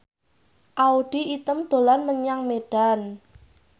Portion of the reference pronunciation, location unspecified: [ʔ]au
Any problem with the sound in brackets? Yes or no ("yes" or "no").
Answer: no